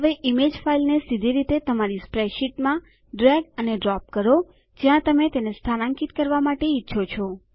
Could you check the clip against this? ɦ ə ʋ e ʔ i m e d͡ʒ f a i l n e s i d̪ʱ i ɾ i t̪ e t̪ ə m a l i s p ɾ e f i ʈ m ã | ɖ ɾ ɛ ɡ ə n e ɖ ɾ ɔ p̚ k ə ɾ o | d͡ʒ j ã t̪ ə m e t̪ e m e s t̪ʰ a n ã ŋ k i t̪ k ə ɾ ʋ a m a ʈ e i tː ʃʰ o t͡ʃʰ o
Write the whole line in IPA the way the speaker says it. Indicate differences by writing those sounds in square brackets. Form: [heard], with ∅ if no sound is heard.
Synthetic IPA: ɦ ə ʋ e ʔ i m e d͡ʒ f a i l n e s i d̪ʱ i ɾ i t̪ e t̪ ə m a [ɾ] i s p ɾ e [ʃ] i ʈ m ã | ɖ ɾ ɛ ɡ ə n e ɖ ɾ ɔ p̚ k ə ɾ o | d͡ʒ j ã t̪ ə m e t̪ e [n] e s t̪ʰ a n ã ŋ k i t̪ k ə ɾ ʋ a m a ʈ e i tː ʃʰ o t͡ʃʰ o